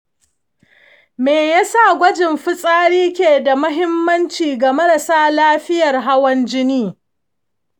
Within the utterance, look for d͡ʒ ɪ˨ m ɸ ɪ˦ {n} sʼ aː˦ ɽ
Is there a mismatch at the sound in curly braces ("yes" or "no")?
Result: yes